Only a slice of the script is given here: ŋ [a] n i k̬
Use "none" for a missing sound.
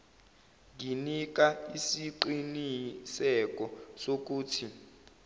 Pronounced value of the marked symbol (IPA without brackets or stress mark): i